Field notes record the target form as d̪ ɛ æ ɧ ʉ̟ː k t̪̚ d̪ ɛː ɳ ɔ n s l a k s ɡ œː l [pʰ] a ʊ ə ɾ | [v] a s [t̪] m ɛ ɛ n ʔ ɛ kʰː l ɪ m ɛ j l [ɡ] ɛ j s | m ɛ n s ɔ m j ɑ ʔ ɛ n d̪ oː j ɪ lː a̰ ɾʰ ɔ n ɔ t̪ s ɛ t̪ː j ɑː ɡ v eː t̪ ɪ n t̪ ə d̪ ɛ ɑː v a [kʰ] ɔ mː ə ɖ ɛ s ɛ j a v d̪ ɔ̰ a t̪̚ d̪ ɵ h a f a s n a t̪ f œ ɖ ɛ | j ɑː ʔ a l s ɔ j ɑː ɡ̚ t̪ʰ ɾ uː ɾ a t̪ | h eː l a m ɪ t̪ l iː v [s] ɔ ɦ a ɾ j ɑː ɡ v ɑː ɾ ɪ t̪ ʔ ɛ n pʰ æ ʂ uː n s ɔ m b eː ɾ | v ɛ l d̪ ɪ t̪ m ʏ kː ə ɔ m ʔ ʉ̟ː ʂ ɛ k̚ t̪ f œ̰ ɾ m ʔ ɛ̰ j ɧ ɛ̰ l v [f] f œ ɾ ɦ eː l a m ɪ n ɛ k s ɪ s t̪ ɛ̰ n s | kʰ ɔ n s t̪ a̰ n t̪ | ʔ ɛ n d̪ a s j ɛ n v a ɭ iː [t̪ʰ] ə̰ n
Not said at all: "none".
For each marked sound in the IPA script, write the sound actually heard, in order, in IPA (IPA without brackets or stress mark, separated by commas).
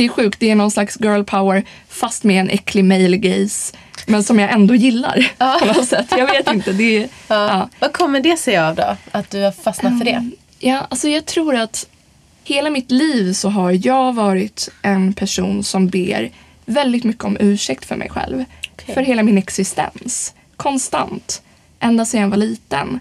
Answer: pʰ, f, t̪, ɡ, kʰ, s, f, t̪